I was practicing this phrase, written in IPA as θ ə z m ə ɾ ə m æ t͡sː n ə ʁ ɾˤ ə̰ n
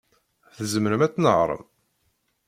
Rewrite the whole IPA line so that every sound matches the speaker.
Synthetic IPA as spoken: θ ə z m ə ɾ ə m æ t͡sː n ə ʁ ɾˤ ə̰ m